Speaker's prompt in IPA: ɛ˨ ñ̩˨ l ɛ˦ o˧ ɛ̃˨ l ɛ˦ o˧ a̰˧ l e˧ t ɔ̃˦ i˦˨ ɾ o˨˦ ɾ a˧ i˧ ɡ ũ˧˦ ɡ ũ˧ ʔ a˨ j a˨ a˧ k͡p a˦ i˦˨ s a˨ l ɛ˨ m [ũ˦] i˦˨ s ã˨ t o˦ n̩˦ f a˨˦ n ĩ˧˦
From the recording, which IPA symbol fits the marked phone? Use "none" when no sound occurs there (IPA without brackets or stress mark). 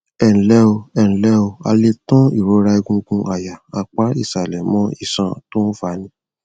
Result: ɔ̃˦